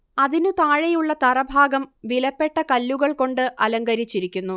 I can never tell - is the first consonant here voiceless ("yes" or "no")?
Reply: no